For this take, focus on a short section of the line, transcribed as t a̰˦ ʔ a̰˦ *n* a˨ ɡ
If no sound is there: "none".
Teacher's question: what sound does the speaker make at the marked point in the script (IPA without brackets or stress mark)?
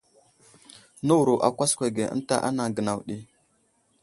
n